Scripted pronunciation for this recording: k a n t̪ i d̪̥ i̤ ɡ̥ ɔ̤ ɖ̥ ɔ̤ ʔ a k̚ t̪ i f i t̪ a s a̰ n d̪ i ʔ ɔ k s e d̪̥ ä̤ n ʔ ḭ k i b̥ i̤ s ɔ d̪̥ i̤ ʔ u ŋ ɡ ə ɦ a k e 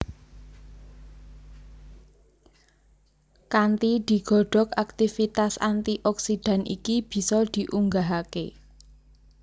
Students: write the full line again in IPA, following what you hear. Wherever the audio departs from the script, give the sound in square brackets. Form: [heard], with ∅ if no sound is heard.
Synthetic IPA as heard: k a n t̪ i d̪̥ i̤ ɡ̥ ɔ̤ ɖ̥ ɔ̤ [k] a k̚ t̪ i f i t̪ a s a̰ n [t̪] i ʔ ɔ k s [i] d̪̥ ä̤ n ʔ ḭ k i b̥ i̤ s ɔ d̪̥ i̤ ʔ u ŋ ɡ [a] ɦ a k e